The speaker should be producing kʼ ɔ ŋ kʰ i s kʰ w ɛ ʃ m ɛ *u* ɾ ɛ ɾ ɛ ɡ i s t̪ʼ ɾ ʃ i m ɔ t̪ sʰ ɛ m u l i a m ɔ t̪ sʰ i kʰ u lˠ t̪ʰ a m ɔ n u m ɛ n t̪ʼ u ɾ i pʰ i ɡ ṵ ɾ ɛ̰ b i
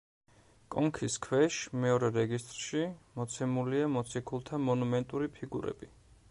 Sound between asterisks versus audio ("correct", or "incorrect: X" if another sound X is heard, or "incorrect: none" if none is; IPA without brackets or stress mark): incorrect: ɔ